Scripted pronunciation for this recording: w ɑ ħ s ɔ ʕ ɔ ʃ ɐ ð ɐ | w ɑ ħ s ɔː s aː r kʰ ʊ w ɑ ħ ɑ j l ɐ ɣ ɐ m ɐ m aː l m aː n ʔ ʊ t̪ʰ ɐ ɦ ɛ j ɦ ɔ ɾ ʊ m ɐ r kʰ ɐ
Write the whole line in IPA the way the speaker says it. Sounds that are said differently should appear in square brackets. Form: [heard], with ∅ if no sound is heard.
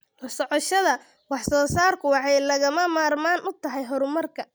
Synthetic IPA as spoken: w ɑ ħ s ɔ ʕ ɔ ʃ ɐ ð ɐ | w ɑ ħ s ɔː s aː r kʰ ʊ w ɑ ħ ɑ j l ɐ ɣ ɐ m ɐ m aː [r] m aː n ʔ ʊ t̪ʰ ɐ ɦ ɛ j ɦ ɔ ɾ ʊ m ɐ r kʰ ɐ